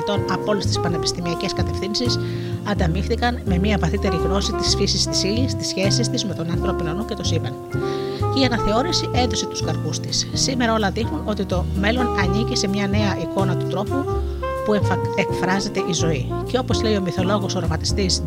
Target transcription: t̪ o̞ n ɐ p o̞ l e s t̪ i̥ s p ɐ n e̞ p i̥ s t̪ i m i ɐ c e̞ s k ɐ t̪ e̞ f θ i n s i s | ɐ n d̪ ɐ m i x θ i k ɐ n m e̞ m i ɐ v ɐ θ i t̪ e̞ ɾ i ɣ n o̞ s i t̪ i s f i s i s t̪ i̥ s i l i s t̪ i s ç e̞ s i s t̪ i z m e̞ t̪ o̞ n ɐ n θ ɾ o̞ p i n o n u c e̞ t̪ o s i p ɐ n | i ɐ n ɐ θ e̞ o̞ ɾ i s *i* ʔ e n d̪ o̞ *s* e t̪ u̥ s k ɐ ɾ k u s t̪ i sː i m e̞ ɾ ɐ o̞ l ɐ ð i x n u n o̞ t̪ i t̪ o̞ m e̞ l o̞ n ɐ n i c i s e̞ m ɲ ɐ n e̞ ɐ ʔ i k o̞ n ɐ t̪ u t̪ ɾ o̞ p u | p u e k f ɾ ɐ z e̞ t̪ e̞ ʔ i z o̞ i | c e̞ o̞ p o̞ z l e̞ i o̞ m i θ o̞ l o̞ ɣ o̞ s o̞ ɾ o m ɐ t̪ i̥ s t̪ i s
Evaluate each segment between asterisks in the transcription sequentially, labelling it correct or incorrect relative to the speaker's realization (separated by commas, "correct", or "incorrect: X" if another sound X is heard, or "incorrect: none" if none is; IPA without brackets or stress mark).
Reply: correct, correct